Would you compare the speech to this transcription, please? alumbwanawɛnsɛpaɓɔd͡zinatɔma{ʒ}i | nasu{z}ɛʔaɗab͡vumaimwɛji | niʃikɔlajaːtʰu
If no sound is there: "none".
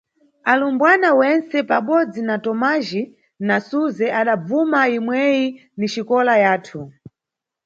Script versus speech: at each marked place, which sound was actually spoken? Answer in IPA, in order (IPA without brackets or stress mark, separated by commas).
ʒ, z